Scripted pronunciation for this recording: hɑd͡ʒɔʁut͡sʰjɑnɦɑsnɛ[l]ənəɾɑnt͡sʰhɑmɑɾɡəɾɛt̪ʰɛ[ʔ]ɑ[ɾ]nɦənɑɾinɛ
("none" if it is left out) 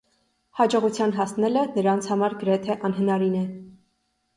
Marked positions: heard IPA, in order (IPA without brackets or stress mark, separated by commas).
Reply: l, ʔ, none